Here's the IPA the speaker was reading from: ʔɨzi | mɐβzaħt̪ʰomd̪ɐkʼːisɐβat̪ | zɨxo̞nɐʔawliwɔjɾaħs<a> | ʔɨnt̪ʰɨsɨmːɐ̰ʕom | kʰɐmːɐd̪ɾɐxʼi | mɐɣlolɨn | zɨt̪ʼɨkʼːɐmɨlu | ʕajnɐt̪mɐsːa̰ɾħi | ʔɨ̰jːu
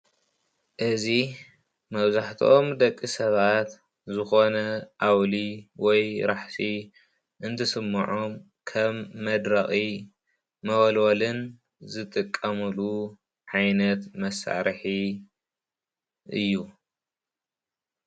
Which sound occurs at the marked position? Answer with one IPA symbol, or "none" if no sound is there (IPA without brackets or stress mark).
i